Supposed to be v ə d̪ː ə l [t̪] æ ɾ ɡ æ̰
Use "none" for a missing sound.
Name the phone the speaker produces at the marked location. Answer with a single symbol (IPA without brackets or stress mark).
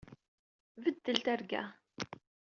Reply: t̪